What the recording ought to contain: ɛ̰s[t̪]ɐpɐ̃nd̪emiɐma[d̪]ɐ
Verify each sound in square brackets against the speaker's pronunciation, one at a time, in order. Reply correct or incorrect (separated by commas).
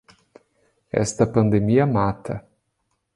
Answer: correct, incorrect